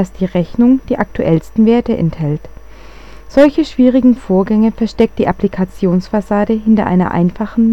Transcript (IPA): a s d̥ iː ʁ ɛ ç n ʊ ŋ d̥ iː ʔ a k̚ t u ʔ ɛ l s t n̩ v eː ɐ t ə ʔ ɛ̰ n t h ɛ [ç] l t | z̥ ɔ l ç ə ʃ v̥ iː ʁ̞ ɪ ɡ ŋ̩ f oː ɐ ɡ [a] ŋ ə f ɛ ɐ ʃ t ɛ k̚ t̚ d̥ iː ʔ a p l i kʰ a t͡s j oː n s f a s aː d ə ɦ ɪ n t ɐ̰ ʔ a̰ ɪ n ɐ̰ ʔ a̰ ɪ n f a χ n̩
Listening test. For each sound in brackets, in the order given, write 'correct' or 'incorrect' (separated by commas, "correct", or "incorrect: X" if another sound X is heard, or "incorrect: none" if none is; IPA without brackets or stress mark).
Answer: incorrect: none, incorrect: ɛ